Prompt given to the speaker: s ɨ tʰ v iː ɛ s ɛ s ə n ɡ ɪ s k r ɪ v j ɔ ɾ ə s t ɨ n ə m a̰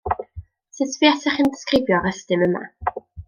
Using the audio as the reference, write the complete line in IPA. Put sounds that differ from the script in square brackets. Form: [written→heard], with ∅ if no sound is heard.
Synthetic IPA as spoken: s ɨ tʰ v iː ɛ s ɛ [s→χ] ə n [ɡ→d] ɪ s k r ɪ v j ɔ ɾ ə s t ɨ [n→m] ə m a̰